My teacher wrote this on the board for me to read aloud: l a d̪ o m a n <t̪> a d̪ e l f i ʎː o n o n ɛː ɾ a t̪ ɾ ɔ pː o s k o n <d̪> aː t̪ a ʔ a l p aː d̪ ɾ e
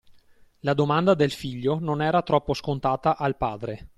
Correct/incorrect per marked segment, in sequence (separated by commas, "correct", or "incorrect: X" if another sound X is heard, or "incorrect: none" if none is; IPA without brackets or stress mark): incorrect: d̪, incorrect: t̪